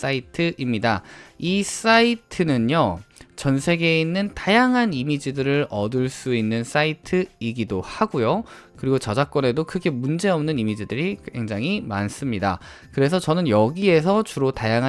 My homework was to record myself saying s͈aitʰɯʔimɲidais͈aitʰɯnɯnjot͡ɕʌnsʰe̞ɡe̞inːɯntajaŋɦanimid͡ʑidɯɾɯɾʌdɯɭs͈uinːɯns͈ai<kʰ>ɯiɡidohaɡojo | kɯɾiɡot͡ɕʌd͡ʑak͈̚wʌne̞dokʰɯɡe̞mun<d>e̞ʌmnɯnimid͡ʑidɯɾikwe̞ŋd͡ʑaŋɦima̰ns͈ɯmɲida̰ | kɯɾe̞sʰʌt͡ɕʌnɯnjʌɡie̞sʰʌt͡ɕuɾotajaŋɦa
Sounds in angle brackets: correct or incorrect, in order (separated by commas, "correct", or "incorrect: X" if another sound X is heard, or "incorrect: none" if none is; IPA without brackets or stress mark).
incorrect: tʰ, incorrect: d͡ʑ